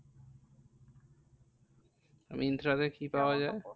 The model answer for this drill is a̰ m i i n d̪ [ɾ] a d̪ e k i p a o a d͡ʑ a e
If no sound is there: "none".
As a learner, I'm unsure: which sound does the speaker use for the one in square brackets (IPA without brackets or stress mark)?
ɾ